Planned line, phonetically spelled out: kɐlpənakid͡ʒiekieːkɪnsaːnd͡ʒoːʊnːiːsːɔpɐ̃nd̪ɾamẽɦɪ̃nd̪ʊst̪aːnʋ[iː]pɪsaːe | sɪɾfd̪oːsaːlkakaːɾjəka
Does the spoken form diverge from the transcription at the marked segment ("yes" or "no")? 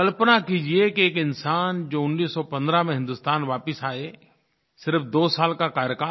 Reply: yes